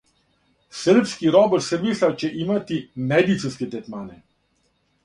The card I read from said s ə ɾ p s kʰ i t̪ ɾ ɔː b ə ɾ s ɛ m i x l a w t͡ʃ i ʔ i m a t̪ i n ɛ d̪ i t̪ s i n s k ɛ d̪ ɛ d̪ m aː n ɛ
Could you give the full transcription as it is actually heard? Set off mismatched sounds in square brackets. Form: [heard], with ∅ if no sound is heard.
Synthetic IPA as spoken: s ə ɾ p s [k] i [∅] ɾ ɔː b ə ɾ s ɛ m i [s] l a w t͡ʃ [ɛ] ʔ i m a t̪ i [m] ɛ d̪ i t̪ s i n s k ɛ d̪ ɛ [t̪] m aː n ɛ